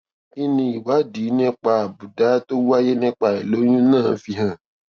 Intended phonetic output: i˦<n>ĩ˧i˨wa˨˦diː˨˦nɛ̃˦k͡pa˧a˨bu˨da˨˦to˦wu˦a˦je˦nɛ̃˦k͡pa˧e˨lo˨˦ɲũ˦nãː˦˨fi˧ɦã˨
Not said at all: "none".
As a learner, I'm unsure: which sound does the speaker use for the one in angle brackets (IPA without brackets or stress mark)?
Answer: n